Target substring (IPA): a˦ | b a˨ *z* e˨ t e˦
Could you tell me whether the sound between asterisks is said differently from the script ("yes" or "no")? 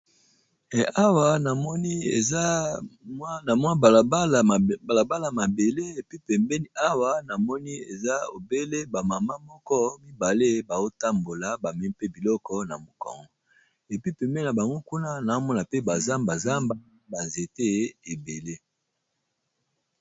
no